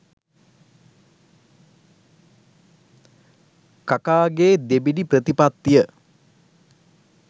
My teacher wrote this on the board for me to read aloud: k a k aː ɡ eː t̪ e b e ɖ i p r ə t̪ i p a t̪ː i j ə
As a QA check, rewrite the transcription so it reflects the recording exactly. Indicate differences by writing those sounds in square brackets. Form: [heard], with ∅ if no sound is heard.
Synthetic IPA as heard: k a k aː ɡ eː [d̪] e b [i] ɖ i p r ə t̪ i p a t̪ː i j ə